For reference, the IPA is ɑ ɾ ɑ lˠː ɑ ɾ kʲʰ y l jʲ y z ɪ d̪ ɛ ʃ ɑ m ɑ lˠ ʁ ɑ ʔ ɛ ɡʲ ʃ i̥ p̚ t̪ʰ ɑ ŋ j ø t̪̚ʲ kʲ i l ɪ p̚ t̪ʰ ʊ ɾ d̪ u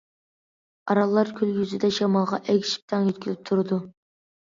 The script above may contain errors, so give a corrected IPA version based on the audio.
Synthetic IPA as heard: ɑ ɾ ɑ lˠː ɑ ɾ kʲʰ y l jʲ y z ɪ d̪ ɛ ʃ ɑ m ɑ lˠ ʁ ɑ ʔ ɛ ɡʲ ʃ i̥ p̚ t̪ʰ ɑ ŋ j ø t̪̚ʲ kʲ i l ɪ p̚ t̪ʰ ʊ ɾ d̪ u